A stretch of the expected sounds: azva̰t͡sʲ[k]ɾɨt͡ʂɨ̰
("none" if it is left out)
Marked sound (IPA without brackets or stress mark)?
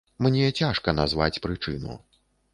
p